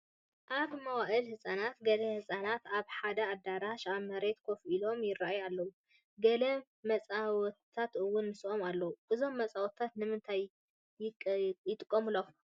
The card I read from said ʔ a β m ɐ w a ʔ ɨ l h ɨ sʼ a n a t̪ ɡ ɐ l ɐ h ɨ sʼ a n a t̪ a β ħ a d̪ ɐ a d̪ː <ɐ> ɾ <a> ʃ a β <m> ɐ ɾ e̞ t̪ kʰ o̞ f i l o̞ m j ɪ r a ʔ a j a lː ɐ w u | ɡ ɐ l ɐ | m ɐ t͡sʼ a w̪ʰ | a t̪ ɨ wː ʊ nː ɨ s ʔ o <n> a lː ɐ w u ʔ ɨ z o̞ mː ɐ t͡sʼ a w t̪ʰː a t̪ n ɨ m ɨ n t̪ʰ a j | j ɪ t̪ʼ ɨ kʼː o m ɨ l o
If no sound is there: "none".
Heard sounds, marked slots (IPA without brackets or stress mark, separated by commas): a, a, m, m